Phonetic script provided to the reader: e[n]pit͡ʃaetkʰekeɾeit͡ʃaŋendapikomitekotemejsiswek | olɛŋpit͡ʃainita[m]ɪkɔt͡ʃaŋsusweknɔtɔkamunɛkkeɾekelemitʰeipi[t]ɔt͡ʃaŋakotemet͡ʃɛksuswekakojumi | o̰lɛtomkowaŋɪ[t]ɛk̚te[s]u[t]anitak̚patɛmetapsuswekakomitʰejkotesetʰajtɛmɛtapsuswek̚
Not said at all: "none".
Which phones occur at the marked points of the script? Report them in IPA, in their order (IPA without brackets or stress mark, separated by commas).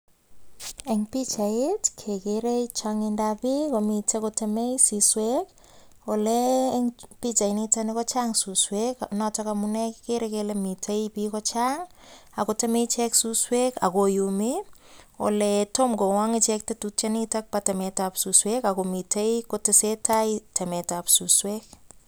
ŋ, n, k, t͡ʃ, t, t͡ʃ